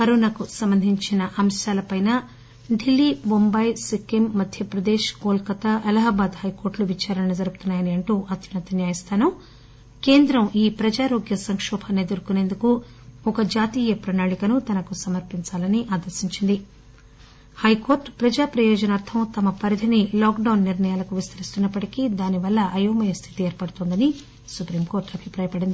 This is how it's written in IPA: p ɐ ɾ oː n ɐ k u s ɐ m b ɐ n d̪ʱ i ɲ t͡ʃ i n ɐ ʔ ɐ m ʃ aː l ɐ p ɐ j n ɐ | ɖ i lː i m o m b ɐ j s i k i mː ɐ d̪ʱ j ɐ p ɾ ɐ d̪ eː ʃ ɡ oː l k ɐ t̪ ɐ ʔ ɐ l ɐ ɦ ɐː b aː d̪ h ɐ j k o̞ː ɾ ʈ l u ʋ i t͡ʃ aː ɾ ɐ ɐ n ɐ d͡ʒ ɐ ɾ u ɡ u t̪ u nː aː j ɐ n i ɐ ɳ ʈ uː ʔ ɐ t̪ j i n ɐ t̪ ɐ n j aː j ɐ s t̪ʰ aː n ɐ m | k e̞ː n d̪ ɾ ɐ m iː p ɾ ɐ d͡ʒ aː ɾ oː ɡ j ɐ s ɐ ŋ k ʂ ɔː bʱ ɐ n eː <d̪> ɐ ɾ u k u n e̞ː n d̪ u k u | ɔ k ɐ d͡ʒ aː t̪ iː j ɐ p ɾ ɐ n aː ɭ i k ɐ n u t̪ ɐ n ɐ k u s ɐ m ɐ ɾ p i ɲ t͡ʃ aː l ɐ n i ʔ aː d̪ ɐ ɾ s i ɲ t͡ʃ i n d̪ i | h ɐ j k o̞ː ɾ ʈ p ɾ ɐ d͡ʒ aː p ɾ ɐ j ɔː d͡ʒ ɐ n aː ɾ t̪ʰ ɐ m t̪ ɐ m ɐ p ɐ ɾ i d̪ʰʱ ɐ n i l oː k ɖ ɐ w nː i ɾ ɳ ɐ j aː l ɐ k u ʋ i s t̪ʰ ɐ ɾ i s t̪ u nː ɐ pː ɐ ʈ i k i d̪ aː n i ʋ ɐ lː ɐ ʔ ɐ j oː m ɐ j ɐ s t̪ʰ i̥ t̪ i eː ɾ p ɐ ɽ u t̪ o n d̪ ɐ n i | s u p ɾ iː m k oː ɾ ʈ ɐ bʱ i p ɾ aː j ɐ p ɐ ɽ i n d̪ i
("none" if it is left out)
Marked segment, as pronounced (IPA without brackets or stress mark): d̪